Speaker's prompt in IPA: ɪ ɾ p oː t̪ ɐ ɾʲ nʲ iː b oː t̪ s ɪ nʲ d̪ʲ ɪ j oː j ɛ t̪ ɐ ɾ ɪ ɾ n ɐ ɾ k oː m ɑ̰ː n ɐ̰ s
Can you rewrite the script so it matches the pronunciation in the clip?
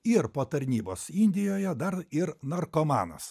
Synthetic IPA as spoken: ɪ ɾ p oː t̪ ɐ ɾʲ nʲ iː b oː s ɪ nʲ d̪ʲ ɪ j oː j ɛ d̪ ɐ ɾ ɪ ɾ n ɐ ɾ k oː m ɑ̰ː n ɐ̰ s

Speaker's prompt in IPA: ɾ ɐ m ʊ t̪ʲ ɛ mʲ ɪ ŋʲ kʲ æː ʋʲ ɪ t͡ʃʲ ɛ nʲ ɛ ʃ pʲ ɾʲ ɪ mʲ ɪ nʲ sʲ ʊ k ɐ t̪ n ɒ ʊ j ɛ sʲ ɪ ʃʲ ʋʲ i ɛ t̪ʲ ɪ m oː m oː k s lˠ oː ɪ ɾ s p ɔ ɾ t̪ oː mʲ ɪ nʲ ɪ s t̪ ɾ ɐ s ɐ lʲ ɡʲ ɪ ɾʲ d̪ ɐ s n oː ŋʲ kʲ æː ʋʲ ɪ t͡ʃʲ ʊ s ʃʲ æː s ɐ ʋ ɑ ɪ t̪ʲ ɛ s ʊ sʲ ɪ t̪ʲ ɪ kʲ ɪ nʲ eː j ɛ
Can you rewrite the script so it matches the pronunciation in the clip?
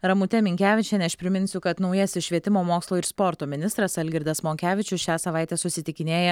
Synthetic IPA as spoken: ɾ ɐ m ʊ t̪ʲ ɛ mʲ ɪ ŋʲ kʲ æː ʋʲ ɪ t͡ʃʲ ɛ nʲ ɛ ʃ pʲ ɾʲ ɪ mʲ ɪ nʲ sʲ ʊ k ɐ t̪ n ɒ ʊ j ɛ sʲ ɪ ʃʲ ʋʲ i ɛ t̪ʲ ɪ m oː m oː k s lˠ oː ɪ ɾ s p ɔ ɾ t̪ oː mʲ ɪ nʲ ɪ s t̪ ɾ ɐ s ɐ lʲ ɡʲ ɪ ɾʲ d̪ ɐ s m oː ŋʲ kʲ æː ʋʲ ɪ t͡ʃʲ ʊ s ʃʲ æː s ɐ ʋ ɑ ɪ t̪ʲ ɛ s ʊ sʲ ɪ t̪ʲ ɪ kʲ ɪ nʲ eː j ɛ

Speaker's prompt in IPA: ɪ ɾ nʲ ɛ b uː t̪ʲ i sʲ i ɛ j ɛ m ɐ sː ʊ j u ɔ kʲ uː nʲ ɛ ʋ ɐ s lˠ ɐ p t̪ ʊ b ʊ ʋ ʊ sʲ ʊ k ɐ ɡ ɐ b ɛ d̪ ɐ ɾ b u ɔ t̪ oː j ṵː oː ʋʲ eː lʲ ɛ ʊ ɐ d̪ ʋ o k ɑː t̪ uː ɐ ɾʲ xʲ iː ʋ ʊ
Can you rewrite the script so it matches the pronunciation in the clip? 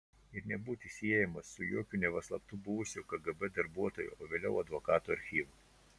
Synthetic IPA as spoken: ɪ ɾ nʲ ɛ b uː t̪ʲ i sʲ i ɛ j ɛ m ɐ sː ʊ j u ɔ kʲ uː nʲ ɛ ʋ ɐ s lˠ ɐ p t̪ ʊ b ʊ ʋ ʊ sʲ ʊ k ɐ ɡ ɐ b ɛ d̪ ɐ ɾ b u ɔ t̪ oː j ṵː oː ʋʲ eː lʲ ɛ ʊ ɐ d̪ ʋ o k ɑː t̪ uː ɐ ɾʲ xʲ iː ʋ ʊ

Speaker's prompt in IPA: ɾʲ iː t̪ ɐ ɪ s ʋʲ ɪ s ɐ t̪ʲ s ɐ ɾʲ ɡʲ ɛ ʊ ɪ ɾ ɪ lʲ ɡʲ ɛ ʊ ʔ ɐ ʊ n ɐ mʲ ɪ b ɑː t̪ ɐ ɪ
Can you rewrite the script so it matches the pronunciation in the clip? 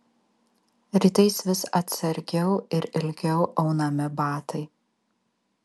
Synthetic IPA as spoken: ɾʲ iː t̪ ɐ ɪ s ʋʲ ɪ s ɐ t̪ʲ s ɐ ɾʲ ɡʲ ɛ ʊ ɪ ɾ ɪ lʲ ɡʲ ɛ ʊ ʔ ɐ ʊ n ɐ mʲ ɪ b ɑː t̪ ɐ ɪ

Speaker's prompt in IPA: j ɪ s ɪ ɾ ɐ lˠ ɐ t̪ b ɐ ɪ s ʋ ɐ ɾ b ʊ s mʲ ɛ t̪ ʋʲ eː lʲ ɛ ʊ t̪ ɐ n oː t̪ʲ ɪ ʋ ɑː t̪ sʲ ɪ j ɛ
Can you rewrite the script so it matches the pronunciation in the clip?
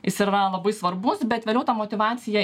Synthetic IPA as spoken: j ɪ s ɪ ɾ ɐ lˠ ɐ b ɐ ɪ s ʋ ɐ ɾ b ʊ s bʲ ɛ t̪ ʋʲ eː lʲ ɛ ʊ t̪ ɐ m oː t̪ʲ ɪ ʋ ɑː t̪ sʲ ɪ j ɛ

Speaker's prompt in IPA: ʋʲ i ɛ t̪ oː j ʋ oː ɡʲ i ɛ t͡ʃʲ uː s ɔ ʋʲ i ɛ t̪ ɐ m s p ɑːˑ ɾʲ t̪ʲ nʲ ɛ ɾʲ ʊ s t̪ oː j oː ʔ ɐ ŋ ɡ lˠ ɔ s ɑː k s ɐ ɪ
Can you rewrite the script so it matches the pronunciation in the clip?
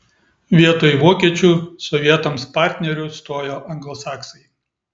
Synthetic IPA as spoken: ʋʲ i ɛ t̪ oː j ʋ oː kʲ i ɛ t͡ʃʲ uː s ɔ ʋʲ i ɛ t̪ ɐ m s p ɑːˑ ɾʲ t̪ʲ nʲ ɛ ɾʲ ʊ s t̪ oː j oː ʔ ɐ ŋ ɡ lˠ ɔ s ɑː k s ɐ ɪ

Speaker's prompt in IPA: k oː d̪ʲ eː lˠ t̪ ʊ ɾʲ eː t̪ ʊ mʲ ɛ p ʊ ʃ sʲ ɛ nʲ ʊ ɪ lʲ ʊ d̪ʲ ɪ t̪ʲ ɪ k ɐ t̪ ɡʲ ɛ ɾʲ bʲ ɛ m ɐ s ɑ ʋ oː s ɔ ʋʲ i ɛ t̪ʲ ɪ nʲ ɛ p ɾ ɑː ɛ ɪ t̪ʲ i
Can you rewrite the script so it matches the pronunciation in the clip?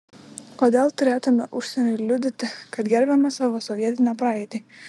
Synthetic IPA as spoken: k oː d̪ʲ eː lˠ t̪ ʊ ɾʲ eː t̪ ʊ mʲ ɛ ʔ ʊ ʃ sʲ ɛ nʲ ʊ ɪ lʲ ʊ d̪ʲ ɪ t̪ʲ ɪ k ɐ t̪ ɡʲ ɛ ɾʲ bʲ ɛ m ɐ s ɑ ʋ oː s ɔ ʋʲ i ɛ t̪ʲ ɪ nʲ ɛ p ɾ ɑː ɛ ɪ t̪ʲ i

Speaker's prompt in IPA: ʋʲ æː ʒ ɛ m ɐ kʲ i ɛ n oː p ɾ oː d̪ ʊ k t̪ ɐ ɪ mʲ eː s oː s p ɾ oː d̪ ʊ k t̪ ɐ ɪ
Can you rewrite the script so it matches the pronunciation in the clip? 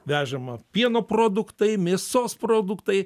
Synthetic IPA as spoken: ʋʲ æː ʒ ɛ m ɐ pʲ i ɛ n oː p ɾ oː d̪ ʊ k t̪ ɐ ɪ mʲ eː s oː s p ɾ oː d̪ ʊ k t̪ ɐ ɪ

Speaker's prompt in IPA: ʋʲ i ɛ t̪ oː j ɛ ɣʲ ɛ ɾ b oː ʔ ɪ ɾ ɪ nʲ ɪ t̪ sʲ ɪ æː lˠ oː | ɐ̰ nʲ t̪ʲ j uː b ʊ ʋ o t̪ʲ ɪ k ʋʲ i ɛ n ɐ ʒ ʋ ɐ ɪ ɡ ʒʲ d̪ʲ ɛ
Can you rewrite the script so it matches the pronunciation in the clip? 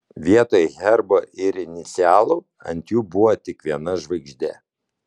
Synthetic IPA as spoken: ʋʲ i ɛ t̪ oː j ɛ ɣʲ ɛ ɾ b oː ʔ ɪ ɾ ɪ nʲ ɪ t̪ sʲ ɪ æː lˠ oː | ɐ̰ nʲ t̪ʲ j uː b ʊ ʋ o t̪ʲ ɪ k ʋʲ i ɛ n ɐ ʒ ʋ ɐ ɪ ɡ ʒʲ d̪ʲ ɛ

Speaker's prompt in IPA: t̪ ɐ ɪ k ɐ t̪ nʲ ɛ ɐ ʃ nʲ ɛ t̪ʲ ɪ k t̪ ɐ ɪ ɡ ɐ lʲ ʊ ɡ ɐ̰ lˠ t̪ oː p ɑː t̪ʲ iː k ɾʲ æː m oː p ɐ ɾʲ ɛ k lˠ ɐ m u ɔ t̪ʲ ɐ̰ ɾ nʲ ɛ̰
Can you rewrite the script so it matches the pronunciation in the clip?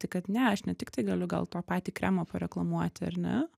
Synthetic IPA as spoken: t̪ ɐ ɪ k ɐ t̪ nʲ ɛ ɐ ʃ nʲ ɛ t̪ʲ ɪ k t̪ ɐ ɪ ɡ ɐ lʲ ʊ ɡ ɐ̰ lˠ t̪ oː p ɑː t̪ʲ iː k ɾʲ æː m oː p ɐ ɾʲ ɛ k lˠ ɐ m u ɔ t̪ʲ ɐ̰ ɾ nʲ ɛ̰

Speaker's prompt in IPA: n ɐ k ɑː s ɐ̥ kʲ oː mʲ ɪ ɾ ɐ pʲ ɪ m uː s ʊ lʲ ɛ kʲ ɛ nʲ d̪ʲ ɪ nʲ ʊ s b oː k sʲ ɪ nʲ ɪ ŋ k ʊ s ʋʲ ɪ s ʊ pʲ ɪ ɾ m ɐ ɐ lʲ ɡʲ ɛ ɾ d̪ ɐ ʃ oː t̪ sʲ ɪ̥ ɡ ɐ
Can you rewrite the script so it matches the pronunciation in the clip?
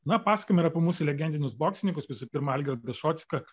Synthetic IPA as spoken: n ɐ p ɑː s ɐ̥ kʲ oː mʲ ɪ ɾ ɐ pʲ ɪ m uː s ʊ lʲ ɛ ɡʲ ɛ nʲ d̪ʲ ɪ nʲ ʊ s b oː k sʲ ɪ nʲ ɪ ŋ k ʊ s ʋʲ ɪ s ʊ pʲ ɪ ɾ m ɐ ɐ lʲ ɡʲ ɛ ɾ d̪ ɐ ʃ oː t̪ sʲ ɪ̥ k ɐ

